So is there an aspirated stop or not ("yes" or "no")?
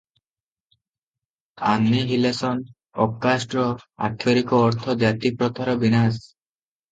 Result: yes